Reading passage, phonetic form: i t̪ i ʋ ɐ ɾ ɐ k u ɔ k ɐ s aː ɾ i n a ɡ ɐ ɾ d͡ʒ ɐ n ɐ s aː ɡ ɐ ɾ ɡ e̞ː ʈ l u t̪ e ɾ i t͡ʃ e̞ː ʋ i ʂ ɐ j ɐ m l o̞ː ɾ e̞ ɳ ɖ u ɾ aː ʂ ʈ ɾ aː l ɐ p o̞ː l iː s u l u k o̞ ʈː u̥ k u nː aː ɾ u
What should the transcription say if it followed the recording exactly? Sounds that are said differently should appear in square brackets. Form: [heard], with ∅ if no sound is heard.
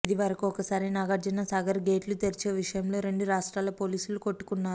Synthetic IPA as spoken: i [d̪] i ʋ ɐ ɾ ɐ k u ɔ k ɐ s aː ɾ i n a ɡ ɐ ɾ d͡ʒ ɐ n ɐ s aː ɡ ɐ ɾ ɡ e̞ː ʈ l u t̪ e ɾ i t͡ʃ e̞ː ʋ i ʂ ɐ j ɐ m l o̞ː ɾ e̞ ɳ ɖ u ɾ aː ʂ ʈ ɾ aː l ɐ p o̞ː l iː s u l u k o̞ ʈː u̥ k u nː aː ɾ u